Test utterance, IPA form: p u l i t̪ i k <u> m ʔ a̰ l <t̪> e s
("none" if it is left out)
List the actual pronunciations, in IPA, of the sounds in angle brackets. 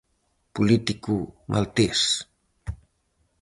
u, t̪

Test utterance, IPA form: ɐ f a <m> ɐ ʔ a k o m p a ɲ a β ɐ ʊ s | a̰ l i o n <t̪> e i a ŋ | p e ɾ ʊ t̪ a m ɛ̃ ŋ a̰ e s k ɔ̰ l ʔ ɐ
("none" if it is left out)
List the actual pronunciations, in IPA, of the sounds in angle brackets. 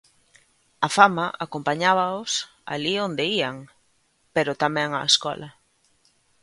m, d̪

